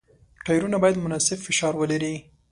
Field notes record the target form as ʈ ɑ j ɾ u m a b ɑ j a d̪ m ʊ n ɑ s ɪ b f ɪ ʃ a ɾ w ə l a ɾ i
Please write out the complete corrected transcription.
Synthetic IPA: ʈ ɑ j ɾ u n a b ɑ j a d̪ m ʊ n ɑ s ɪ b f ɪ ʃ ɑ ɾ w ə l a ɾ i

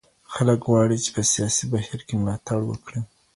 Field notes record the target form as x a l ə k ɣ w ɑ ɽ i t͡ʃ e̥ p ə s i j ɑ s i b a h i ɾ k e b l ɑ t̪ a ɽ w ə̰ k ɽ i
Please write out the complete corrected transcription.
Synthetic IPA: x a l ə k ɣ w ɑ ɽ i t͡ʃ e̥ p ə s i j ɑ s i b a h i ɾ k e m l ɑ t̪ a ɽ w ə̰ k ɽ i

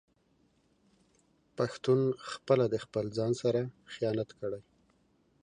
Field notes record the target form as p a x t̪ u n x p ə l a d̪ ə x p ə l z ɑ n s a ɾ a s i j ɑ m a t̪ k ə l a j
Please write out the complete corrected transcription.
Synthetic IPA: p a x t̪ u n x p ə l a d̪ ə x p ə l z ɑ n s a ɾ a x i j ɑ n a t̪ k ə ɽ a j

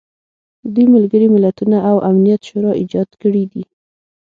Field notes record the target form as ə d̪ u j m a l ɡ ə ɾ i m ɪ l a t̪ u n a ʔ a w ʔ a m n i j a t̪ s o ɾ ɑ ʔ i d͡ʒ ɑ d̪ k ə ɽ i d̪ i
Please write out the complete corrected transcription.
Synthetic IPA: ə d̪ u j m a l ɡ ə ɾ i m ɪ l a t̪ u n a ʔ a w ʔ a m n i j a t̪ ʃ o ɾ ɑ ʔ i d͡ʒ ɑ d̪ k ə ɽ i d̪ i

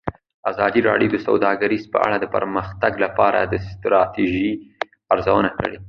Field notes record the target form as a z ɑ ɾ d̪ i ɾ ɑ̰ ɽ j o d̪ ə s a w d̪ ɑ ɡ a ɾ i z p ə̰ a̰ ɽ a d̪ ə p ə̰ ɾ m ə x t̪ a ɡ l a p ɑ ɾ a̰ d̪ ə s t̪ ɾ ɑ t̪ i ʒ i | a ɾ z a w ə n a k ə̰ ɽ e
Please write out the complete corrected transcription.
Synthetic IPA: a z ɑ d̪ i ɾ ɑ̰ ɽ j o d̪ ə s a w d̪ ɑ ɡ a ɾ i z p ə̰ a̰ ɽ a d̪ ə p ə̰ ɾ m ə x t̪ a ɡ l a p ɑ ɾ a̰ d̪ ə s t̪ ɾ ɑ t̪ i ʒ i | a ɾ z a w ə n a k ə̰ ɽ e

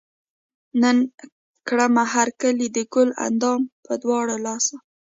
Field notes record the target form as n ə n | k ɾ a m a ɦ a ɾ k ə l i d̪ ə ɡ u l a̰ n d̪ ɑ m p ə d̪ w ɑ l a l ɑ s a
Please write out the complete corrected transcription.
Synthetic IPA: n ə n | k ɽ a m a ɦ a ɾ k ə l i d̪ ə ɡ ʊ l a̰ n d̪ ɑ m p ə d̪ w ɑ ɽ a l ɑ s a

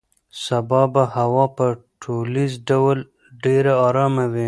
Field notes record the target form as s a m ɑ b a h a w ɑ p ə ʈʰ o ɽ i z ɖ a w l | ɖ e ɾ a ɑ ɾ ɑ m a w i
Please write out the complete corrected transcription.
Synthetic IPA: s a b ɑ b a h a w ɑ p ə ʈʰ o l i z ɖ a w l | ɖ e ɾ a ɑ ɾ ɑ m a w i

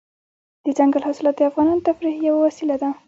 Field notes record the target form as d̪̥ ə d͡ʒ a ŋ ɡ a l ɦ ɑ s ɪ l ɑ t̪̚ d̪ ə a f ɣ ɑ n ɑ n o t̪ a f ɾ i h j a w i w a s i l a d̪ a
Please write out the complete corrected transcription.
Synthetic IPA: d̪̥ ə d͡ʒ a ŋ ɡ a l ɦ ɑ s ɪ l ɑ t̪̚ d̪ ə a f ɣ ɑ n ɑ n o t̪ a f ɾ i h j a w a w a s i l a d̪ a

